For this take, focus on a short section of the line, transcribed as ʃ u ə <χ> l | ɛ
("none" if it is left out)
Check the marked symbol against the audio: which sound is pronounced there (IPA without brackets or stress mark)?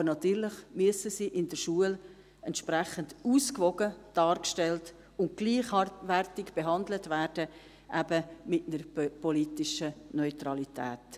none